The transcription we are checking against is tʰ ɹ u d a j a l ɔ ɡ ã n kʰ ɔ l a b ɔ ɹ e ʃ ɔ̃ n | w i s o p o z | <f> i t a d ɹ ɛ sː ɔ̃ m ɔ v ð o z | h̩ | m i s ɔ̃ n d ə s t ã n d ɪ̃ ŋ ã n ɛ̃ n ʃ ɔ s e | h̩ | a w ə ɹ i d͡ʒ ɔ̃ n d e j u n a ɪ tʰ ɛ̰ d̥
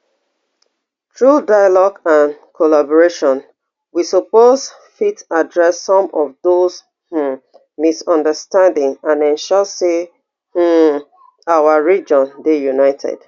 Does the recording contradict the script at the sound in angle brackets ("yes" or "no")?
no